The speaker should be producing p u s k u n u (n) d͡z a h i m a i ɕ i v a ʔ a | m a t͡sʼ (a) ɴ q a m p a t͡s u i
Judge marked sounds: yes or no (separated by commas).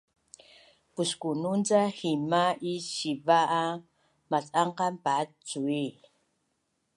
yes, yes